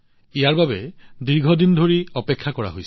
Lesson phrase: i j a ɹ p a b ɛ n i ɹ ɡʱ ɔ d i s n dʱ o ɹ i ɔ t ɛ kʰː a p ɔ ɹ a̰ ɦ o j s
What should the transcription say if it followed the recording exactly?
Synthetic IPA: i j a ɹ b a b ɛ d i ɹ ɡʱ ɔ d i n dʱ o ɹ i ɔ p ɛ kʰː a k ɔ ɹ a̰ ɦ o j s